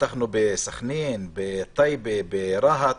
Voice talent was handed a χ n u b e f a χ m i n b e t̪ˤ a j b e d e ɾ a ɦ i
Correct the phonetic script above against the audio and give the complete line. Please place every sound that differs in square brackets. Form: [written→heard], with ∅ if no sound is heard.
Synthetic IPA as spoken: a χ n u b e [f→s] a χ [m→n] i n b e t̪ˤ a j b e [d→b] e ɾ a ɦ [i→a]